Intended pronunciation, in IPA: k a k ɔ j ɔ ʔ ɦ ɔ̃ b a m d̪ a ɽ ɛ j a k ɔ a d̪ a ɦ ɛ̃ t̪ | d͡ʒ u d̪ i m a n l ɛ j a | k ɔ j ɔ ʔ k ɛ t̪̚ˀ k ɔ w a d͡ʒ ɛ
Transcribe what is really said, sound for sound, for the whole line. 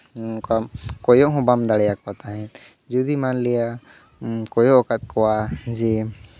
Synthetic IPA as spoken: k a k ɔ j ɔ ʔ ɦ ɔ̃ b a m d̪ a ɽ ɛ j a k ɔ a t̪ a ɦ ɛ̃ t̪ | d͡ʒ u d̪ i m a n l ɛ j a | k ɔ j ɔ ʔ k a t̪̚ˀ k ɔ w a d͡ʒ ɛ

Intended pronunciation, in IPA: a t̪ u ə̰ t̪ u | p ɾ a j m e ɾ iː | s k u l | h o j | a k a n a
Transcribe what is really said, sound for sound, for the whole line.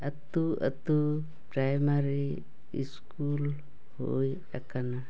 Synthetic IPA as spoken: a t̪ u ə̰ t̪ u | p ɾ a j m a ɾ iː | s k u l | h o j | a k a n a

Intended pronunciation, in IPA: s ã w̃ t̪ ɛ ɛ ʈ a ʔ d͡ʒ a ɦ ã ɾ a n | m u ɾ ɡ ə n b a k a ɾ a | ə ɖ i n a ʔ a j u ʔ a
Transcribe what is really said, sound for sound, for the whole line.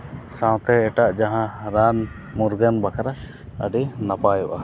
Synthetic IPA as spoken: s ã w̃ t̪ ɛ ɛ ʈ a ʔ d͡ʒ a ɦ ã ɾ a n | m u ɾ ɡ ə n b a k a ɾ a | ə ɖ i n a p a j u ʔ a

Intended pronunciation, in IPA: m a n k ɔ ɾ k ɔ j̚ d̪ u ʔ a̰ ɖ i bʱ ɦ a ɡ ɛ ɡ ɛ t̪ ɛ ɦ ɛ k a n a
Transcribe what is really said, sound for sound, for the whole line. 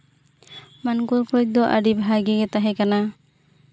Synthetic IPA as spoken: m a n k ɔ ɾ k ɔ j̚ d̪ ɔ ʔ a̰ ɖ i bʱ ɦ a ɡ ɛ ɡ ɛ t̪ a ɦ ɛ k a n a

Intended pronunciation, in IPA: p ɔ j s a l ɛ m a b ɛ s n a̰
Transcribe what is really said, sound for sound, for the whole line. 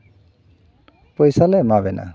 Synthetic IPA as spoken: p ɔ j s a l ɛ m a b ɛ n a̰

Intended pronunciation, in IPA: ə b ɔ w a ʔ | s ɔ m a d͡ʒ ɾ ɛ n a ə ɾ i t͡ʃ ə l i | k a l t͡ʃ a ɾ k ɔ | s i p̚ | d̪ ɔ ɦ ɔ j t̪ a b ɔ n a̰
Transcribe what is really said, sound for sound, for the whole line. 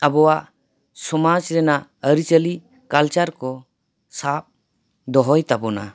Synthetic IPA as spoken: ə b ɔ w a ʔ | s ɔ m a d͡ʒ ɾ ɛ n a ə ɾ i t͡ʃ ə l i | k a l t͡ʃ a ɾ k ɔ | s a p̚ | d̪ ɔ ɦ ɔ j t̪ a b ɔ n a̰

